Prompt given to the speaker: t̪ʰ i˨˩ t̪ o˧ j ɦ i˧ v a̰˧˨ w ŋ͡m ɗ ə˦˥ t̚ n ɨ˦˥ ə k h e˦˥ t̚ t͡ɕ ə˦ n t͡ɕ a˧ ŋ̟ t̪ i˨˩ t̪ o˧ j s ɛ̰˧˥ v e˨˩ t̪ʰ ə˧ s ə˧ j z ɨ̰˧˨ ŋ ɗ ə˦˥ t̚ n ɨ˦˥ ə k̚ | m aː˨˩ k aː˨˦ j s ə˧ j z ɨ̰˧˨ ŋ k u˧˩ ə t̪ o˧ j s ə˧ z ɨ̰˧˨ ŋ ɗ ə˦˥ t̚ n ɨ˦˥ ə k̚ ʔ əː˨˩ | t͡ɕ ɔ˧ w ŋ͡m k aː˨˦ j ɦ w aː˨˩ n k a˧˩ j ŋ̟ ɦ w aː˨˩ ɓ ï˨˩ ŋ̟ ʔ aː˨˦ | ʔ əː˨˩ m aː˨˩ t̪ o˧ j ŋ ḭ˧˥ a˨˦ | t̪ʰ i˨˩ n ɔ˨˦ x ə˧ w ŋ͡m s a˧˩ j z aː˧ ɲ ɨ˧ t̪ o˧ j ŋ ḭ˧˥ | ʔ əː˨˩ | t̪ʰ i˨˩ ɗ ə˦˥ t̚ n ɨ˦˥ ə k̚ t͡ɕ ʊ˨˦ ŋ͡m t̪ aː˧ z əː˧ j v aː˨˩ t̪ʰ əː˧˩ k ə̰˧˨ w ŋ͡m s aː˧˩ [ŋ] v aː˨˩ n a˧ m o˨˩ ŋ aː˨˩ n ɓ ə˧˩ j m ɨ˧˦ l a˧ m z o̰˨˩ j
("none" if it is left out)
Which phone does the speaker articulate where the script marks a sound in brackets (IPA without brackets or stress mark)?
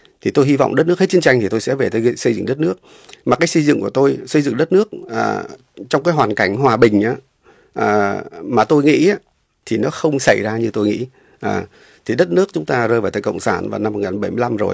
n